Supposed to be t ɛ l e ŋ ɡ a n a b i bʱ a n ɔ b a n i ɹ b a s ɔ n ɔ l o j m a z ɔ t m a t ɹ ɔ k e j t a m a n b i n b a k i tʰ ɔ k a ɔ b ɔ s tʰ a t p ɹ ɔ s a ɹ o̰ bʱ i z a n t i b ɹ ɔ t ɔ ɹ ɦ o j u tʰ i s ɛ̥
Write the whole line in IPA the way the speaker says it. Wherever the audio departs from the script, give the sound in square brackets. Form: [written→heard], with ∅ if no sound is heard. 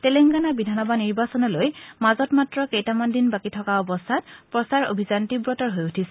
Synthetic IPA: t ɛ l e ŋ ɡ a n a b i [bʱ→dʱ] a n ɔ b a n i ɹ b a s ɔ n ɔ l o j m a z ɔ t m a t ɹ ɔ k e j t a m a n [b→d] i n b a k i tʰ ɔ k a ɔ b ɔ s tʰ a t p ɹ ɔ s a ɹ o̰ bʱ i z a n t i b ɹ ɔ t ɔ ɹ ɦ o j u tʰ i s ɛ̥